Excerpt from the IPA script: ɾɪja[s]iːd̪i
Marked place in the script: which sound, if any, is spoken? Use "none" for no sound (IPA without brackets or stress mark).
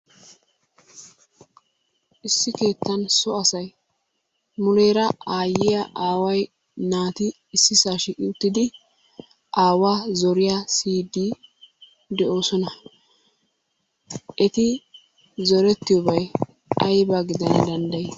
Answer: s